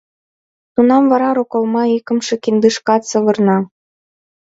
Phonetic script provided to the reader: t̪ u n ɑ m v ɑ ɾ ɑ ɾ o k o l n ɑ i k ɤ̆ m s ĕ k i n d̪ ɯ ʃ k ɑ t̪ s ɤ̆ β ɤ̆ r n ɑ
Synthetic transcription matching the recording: t̪ u n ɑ m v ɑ ɾ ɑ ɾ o k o l m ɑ i k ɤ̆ m ʃ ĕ k i n d̪ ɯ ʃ k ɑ t̪ s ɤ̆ β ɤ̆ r n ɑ